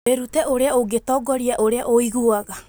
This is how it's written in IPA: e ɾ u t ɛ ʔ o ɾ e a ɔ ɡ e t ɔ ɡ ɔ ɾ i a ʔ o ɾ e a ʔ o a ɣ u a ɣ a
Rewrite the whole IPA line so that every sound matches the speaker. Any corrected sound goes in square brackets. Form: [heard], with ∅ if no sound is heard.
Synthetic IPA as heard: e ɾ u t ɛ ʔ o ɾ e a [o] ɡ e t ɔ ɡ ɔ ɾ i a ʔ o ɾ e a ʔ o [i] ɣ u a ɣ a